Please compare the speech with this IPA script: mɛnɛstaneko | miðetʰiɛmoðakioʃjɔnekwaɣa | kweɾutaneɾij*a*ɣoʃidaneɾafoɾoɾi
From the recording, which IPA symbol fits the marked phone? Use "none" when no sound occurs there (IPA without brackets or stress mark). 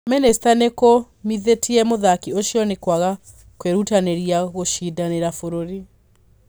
a